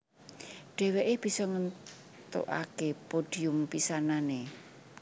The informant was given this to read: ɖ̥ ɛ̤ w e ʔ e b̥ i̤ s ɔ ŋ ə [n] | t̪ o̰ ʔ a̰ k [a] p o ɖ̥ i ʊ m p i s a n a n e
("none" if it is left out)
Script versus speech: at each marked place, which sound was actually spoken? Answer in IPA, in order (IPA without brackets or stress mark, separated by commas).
n, e